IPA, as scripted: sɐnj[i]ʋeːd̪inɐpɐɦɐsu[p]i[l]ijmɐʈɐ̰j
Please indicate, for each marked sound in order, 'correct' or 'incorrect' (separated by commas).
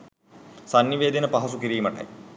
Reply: correct, incorrect, incorrect